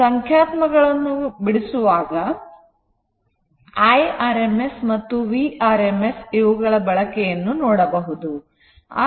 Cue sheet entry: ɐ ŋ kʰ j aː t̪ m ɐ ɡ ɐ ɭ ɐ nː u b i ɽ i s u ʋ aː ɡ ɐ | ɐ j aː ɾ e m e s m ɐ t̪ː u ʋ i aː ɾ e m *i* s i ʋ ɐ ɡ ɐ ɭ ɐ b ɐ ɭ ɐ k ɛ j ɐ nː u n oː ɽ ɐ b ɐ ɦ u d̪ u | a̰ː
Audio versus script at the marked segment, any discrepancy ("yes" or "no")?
yes